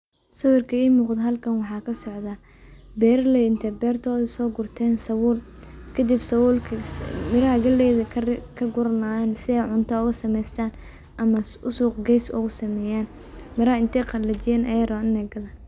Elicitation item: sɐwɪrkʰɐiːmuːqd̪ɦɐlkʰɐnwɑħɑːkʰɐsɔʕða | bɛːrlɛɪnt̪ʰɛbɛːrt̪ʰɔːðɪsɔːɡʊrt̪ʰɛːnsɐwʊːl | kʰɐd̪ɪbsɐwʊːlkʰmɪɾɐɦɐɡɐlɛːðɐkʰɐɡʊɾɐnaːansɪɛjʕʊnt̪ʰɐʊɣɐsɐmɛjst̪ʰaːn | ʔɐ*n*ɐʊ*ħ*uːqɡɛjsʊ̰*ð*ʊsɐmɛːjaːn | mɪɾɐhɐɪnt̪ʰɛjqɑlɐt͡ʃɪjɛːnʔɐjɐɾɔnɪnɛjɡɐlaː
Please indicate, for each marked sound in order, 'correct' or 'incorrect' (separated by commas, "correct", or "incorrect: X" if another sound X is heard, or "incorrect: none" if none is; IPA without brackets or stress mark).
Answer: incorrect: m, incorrect: s, incorrect: ɣ